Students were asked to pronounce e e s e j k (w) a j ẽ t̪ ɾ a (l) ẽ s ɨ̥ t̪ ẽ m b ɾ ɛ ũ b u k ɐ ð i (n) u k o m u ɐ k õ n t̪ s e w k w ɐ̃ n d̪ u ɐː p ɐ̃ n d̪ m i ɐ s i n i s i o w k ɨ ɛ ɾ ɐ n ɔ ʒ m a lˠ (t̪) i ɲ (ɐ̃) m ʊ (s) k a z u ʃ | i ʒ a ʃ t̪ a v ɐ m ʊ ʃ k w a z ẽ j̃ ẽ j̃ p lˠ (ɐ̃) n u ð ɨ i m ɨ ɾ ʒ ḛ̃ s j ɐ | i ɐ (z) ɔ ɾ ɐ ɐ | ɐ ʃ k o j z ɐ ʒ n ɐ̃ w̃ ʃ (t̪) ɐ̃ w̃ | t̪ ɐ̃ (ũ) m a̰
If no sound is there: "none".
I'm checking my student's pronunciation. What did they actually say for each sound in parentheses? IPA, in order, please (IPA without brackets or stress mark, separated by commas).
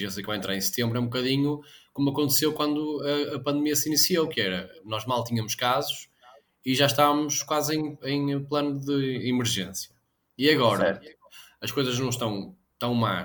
v, ɾ, ɲ, t̪, ɐ, ʃ, ɐ, ɣ, t̪, w̃